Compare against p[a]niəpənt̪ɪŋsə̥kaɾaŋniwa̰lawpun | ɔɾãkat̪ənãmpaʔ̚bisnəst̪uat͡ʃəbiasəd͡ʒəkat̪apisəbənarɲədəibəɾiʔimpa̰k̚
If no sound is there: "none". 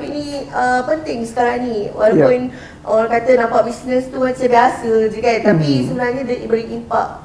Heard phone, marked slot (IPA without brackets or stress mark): i